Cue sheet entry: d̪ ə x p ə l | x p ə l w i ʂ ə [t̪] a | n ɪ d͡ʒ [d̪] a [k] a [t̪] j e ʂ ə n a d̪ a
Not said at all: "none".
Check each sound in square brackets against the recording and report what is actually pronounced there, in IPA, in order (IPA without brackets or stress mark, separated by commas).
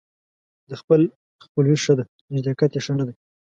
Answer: d̪, d̪, k, t̪